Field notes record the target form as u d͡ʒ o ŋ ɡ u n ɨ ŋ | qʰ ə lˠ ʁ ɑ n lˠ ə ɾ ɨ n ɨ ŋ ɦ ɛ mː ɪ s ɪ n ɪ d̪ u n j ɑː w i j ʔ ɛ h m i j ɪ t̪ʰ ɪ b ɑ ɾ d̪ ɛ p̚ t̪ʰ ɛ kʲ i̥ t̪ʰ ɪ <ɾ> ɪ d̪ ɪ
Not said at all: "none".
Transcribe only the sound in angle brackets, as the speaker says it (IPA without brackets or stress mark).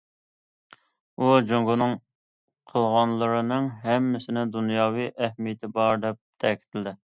l